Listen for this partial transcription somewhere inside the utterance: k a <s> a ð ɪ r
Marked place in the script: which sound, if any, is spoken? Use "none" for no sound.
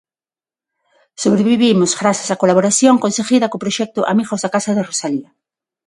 s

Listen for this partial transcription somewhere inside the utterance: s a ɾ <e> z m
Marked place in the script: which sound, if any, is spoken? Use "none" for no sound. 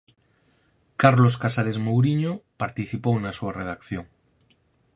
e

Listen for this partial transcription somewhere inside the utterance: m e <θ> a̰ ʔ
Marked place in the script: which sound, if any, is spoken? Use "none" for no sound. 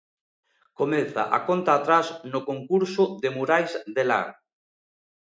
θ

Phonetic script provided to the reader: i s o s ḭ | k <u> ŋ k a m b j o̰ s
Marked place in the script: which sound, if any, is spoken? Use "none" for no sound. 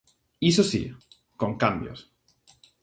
o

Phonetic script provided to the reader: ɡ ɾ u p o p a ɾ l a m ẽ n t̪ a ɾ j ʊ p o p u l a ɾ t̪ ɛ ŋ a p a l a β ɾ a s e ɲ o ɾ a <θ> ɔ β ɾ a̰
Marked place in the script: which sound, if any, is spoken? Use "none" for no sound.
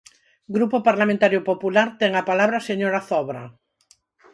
θ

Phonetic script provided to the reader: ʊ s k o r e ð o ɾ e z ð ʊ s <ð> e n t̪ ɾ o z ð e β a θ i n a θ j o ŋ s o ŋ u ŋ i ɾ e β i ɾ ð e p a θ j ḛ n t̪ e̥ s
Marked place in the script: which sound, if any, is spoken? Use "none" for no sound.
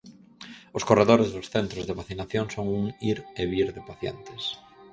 θ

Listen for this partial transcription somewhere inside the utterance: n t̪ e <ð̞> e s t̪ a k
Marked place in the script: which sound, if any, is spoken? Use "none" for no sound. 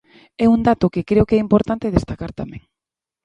ð̞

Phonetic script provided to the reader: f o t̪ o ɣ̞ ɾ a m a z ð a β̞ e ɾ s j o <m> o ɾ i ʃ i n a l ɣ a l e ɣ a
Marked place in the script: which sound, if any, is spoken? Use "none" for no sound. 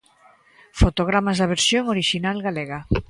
ŋ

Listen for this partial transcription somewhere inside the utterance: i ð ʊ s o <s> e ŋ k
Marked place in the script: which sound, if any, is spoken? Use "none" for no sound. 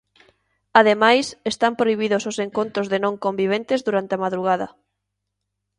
s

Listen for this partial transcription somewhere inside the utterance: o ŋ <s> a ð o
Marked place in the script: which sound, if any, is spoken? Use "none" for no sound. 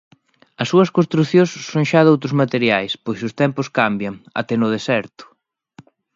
ʃ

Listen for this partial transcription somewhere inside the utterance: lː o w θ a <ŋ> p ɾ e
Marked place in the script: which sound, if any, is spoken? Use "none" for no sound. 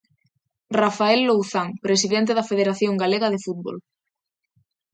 ŋ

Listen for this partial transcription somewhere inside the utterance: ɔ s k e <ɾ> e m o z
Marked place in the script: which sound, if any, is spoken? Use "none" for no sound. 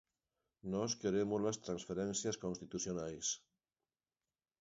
ɾ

